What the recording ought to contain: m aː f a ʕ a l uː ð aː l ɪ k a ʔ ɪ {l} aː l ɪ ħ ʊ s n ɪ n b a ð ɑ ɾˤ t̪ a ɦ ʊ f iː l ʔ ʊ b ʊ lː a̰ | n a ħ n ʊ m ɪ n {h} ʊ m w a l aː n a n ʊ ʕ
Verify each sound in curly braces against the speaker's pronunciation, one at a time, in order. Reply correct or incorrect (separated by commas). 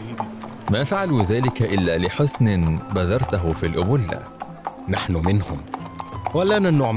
incorrect, correct